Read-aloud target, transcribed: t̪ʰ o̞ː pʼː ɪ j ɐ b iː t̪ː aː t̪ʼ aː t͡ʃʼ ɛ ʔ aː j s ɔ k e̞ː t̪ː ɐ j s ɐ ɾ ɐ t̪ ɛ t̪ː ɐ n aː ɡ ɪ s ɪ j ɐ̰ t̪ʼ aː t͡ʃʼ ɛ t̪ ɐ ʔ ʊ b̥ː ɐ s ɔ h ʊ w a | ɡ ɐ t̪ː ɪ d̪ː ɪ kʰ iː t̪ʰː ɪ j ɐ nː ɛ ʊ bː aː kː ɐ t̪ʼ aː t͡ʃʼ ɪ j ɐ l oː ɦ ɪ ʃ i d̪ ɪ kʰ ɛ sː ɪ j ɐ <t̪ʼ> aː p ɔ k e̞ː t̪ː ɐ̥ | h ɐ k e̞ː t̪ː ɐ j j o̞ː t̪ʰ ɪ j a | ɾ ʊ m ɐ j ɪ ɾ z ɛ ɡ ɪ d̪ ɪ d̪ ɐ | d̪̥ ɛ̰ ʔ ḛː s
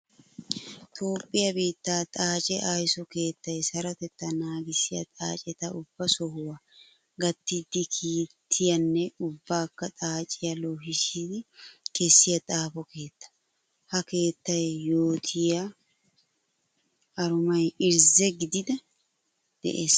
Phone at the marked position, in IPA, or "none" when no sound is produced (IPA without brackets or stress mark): t̪ʼ